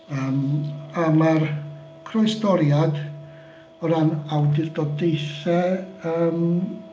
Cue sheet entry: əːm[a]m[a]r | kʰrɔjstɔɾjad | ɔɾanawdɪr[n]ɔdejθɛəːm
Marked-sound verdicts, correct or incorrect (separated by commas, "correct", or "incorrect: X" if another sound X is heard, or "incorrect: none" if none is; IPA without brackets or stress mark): correct, correct, incorrect: d